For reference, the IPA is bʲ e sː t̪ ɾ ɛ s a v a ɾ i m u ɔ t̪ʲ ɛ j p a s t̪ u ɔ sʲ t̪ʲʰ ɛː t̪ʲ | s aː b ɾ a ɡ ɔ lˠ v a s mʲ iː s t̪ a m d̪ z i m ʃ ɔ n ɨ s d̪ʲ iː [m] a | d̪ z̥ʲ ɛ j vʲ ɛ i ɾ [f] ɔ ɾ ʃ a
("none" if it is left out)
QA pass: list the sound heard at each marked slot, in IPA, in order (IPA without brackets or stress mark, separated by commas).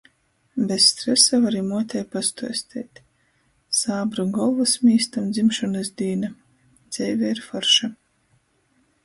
n, f